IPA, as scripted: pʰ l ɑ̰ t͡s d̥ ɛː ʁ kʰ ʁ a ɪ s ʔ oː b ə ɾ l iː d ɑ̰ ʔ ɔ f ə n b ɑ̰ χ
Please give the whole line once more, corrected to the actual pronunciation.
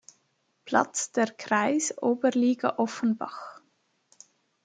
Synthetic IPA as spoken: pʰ l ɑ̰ t͡s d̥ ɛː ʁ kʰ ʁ a ɪ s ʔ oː b ə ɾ l iː ɡ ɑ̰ ʔ ɔ f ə n b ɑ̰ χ